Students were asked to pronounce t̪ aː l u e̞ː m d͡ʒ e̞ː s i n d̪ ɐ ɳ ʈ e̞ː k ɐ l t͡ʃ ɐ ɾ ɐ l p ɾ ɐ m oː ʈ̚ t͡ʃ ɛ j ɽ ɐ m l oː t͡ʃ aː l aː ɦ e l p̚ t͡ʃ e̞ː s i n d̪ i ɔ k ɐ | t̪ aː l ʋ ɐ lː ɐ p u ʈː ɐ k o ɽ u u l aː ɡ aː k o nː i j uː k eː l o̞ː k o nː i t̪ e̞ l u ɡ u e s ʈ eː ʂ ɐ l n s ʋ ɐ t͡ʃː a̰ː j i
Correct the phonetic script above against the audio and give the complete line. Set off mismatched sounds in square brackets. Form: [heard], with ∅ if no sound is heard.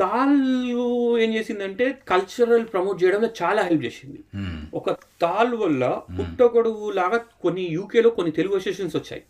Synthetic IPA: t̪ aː l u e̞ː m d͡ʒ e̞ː s i n d̪ ɐ ɳ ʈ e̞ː k ɐ l t͡ʃ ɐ ɾ ɐ l p ɾ ɐ m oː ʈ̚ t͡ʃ ɛ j ɽ ɐ m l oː t͡ʃ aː l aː ɦ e l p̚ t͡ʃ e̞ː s i n d̪ i ɔ k ɐ | t̪ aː l ʋ ɐ lː ɐ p u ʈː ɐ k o ɽ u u l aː ɡ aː k o nː i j uː k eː l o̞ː k o nː i t̪ e̞ l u ɡ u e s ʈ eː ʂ ɐ [∅] n s ʋ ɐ t͡ʃː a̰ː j i